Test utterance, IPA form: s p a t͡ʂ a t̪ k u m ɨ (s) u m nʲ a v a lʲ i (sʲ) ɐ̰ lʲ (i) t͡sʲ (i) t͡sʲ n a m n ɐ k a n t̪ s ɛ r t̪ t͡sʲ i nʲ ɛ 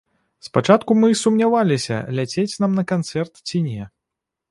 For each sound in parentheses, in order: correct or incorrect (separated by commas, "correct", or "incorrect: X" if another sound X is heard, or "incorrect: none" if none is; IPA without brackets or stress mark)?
correct, correct, incorrect: a, incorrect: e